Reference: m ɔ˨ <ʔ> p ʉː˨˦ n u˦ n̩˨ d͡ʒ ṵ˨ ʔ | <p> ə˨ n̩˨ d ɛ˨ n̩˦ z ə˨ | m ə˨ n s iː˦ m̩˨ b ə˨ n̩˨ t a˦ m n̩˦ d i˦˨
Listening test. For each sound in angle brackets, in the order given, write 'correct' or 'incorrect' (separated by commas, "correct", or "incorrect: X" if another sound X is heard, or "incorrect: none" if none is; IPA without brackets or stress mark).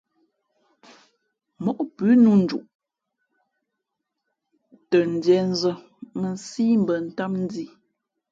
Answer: correct, incorrect: t